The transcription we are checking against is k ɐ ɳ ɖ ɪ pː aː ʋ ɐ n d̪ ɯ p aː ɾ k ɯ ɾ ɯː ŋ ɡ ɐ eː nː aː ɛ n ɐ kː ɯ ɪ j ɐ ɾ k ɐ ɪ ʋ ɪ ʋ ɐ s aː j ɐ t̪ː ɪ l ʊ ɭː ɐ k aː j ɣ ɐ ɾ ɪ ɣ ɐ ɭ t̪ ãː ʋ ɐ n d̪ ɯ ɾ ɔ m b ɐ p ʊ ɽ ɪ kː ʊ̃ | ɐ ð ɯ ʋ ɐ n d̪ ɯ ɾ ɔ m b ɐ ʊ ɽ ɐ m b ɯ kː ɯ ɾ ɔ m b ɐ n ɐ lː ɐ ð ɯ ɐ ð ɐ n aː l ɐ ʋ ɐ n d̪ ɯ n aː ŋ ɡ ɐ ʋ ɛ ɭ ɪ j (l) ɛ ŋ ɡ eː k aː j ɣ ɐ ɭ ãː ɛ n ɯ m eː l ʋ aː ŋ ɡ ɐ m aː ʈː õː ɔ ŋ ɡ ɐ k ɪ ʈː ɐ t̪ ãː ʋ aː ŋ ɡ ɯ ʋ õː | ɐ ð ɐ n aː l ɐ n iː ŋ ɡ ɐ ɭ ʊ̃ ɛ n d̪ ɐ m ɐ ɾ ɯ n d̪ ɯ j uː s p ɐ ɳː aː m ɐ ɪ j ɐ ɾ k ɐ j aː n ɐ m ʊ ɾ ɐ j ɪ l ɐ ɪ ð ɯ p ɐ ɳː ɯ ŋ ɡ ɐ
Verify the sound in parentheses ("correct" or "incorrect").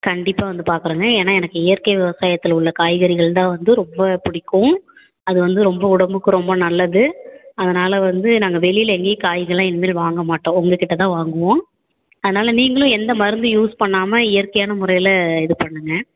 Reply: correct